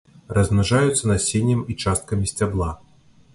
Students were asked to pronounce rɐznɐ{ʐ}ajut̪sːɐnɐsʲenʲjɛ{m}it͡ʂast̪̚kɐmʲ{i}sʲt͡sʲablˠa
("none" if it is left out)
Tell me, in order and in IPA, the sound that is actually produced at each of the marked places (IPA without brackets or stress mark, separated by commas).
ʐ, m, i